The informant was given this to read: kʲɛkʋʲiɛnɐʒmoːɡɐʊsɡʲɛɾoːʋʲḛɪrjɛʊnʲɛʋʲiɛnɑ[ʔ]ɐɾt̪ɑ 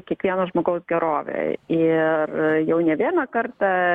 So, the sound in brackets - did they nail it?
no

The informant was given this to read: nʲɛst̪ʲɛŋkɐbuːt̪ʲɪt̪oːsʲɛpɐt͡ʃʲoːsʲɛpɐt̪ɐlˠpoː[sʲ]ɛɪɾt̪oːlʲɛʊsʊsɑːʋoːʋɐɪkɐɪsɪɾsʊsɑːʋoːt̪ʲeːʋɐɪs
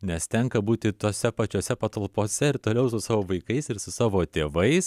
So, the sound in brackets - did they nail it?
yes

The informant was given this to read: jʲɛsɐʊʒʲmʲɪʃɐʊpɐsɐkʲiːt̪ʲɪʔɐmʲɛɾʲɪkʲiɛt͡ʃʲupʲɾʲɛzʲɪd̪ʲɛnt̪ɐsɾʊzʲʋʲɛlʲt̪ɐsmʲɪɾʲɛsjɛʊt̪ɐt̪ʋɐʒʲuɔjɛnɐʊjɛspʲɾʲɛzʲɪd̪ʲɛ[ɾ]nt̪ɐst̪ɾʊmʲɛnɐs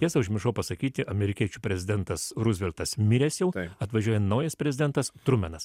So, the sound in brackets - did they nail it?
no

